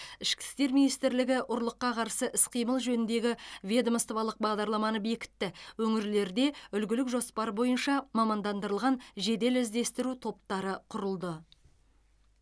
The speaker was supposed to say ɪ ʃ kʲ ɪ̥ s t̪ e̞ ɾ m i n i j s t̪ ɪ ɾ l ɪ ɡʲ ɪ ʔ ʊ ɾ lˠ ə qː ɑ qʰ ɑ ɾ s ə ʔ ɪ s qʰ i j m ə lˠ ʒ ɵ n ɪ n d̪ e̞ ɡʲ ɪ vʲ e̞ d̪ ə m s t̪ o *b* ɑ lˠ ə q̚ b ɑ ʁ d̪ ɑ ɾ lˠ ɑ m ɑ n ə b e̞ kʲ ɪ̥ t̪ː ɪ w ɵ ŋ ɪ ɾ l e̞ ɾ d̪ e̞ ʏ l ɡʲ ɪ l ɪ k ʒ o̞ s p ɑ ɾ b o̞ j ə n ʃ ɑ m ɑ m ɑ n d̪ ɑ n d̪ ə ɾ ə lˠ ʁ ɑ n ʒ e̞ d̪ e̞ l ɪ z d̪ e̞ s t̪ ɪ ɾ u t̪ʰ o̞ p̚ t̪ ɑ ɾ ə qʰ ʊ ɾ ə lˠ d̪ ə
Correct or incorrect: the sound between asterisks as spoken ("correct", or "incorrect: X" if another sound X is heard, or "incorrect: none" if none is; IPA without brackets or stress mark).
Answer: incorrect: v